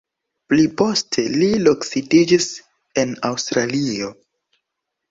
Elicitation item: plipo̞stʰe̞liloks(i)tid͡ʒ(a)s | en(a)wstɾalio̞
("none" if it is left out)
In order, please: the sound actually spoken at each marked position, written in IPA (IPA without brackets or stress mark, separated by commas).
i, i, a